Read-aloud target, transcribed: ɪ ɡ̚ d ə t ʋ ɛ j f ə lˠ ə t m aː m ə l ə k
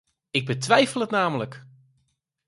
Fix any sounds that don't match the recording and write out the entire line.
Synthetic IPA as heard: ɪ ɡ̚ b ə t ʋ ɛ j f ə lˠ ə t n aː m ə l ə k